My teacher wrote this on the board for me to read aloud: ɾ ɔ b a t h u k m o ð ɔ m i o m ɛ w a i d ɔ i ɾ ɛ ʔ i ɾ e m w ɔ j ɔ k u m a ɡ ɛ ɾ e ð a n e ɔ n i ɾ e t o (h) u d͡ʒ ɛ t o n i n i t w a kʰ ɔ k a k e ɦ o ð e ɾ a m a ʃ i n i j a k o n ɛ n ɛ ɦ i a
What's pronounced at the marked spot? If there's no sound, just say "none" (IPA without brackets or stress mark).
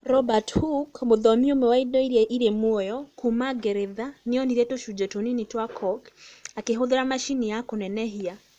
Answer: ʃ